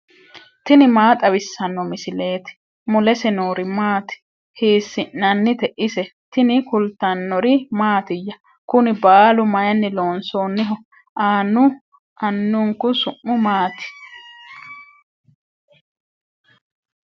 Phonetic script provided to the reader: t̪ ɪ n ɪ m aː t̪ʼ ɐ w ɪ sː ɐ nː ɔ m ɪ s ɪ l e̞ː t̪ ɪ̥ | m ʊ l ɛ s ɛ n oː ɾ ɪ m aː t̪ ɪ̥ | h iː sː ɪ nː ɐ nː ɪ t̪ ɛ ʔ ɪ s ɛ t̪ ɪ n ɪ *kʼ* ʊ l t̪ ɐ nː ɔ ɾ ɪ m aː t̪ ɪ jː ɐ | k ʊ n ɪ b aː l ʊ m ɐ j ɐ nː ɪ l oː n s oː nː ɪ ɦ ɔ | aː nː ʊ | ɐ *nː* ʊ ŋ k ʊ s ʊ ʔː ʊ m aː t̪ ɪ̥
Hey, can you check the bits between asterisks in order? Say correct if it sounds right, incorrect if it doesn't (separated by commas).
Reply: incorrect, correct